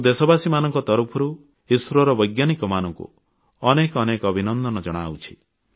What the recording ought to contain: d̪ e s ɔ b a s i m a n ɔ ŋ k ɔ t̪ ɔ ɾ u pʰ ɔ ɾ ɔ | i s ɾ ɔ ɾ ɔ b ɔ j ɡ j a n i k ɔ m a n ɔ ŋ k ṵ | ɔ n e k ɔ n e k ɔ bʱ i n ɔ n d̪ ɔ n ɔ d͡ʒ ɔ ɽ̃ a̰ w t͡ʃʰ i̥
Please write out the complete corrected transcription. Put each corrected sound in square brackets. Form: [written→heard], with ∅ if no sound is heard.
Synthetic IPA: d̪ e s ɔ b a s i m a n ɔ ŋ k ɔ t̪ ɔ ɾ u pʰ ɔ ɾ [ɔ→u] | i s ɾ ɔ ɾ ɔ b ɔ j ɡ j a n i k ɔ m a n ɔ ŋ k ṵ | ɔ n e k ɔ n e k ɔ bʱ i n ɔ n d̪ ɔ n ɔ d͡ʒ ɔ ɽ̃ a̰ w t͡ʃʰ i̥